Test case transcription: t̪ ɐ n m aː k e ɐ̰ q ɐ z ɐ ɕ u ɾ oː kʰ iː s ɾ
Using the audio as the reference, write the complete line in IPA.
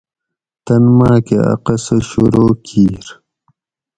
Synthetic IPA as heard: t̪ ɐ n m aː k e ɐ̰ q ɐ s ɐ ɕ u ɾ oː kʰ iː ɾ